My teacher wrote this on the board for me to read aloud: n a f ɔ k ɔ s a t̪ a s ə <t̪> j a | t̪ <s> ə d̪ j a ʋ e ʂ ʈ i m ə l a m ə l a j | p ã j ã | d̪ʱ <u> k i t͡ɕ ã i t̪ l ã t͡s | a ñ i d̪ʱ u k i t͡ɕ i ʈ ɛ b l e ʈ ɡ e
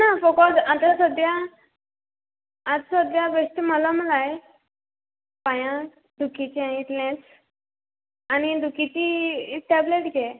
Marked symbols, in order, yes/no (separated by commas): no, yes, yes